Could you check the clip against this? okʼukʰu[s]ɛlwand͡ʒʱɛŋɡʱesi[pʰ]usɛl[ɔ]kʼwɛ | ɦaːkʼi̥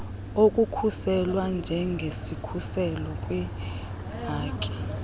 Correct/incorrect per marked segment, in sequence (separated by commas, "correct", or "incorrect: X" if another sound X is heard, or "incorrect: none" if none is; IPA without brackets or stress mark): correct, incorrect: kʰ, correct